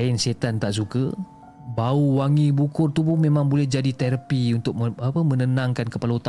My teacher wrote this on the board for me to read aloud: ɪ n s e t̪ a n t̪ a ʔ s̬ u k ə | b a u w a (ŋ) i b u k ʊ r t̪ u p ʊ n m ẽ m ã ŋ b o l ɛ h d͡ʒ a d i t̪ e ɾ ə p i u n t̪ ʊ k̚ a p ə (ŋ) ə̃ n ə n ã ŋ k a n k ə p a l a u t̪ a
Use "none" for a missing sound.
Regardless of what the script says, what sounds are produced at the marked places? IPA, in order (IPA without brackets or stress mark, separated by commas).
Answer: ŋ, m